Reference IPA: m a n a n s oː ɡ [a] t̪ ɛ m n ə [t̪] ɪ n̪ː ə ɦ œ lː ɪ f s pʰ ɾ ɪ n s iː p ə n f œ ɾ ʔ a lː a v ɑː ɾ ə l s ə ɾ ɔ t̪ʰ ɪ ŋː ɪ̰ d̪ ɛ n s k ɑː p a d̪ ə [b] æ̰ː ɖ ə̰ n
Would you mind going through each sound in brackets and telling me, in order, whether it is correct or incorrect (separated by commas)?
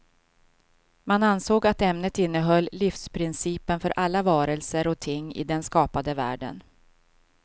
correct, correct, incorrect